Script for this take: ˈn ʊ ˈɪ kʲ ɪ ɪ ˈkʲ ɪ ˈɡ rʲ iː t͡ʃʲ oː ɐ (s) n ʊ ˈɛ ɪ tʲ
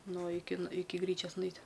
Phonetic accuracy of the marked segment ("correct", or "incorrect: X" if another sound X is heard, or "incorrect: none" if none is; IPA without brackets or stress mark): correct